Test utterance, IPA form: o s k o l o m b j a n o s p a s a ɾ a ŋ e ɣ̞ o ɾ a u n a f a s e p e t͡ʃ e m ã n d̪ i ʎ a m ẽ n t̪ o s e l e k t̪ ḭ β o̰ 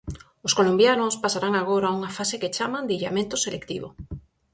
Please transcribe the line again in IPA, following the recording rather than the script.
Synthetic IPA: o s k o l o m b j a n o s p a s a ɾ a ŋ a ɣ̞ o ɾ a u ŋ a f a s e k e t͡ʃ a m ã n d̪ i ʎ a m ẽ n t̪ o s e l e k t̪ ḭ β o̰